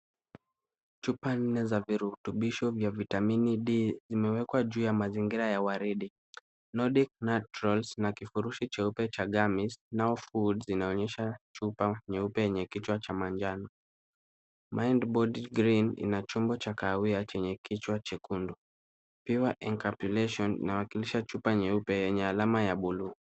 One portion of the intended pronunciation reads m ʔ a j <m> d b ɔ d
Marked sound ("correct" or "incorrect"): incorrect